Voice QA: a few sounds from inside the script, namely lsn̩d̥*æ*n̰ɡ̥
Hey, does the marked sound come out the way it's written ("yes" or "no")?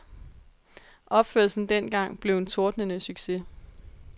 no